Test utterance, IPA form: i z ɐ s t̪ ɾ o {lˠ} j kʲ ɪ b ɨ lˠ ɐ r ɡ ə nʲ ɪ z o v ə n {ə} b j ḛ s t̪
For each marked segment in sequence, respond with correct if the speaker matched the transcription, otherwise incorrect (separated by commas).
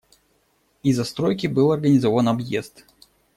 incorrect, incorrect